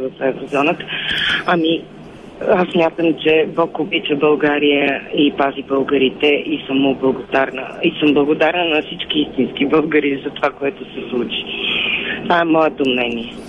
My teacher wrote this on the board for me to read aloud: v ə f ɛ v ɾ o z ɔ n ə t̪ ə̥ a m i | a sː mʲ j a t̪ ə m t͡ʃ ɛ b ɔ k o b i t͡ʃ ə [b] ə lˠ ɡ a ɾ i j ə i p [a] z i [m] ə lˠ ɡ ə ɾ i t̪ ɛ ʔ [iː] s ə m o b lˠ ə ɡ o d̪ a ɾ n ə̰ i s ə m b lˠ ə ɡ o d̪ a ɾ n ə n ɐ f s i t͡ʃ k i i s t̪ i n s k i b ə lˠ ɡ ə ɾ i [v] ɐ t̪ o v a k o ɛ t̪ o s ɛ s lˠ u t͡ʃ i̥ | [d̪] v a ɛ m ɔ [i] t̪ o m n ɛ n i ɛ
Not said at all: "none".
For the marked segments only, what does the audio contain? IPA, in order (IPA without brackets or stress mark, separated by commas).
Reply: b, a, b, i, z, t̪, ɛ